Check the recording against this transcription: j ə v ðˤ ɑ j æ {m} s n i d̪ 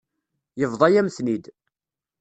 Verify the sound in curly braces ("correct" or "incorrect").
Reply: correct